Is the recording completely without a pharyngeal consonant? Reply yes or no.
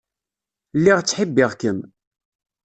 no